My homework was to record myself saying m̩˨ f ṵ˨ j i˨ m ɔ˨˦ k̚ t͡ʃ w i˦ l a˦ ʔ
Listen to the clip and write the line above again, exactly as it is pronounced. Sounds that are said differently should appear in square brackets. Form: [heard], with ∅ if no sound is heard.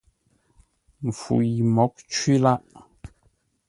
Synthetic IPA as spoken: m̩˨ f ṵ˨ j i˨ m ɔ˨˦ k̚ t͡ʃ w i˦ l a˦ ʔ